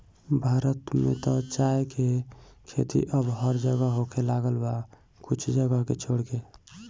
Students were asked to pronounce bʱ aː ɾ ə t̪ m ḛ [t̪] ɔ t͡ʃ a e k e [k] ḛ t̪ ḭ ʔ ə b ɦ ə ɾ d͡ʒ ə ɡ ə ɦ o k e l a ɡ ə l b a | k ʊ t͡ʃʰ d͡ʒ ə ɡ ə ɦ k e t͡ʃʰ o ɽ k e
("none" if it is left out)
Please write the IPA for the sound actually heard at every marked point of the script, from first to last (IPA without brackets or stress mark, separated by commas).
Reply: t̪, kʰ